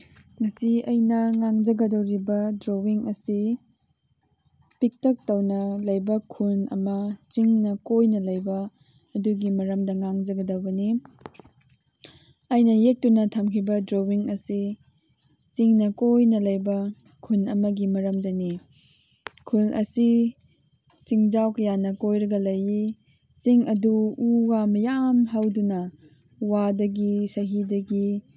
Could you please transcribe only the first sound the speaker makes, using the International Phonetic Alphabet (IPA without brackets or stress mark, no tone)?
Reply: ŋ